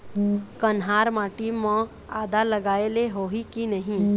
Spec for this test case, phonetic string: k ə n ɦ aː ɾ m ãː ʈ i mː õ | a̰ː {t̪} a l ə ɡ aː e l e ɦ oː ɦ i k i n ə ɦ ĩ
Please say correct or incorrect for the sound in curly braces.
incorrect